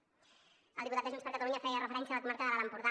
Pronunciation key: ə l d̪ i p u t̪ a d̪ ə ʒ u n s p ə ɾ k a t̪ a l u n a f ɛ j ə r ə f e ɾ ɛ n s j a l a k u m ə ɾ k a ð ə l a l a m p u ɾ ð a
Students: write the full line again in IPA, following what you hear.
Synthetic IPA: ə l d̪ i p u t̪ a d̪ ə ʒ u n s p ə ɾ k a t̪ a l u ɲ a f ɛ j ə r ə f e ɾ ɛ n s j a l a k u m a ɾ k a ð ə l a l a m p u ɾ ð a